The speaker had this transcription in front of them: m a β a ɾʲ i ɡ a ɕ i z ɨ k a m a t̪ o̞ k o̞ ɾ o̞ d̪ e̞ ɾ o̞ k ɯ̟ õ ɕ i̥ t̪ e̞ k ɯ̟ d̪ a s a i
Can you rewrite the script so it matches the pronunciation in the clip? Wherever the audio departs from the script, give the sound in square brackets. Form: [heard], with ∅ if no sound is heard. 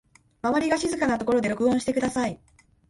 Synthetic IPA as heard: m a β a ɾʲ i ɡ a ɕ i z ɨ k a [n] a t̪ o̞ k o̞ ɾ o̞ d̪ e̞ ɾ o̞ k ɯ̟ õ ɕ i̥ t̪ e̞ k ɯ̟ d̪ a s a i